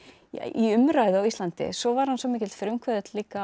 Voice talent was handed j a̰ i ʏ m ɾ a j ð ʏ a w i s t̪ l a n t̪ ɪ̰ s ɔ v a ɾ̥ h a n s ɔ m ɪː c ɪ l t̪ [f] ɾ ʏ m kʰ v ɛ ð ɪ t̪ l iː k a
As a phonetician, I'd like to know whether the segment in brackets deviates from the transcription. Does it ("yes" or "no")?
no